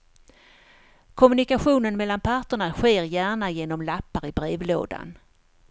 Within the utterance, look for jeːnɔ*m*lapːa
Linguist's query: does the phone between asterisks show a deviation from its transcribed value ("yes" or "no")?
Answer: no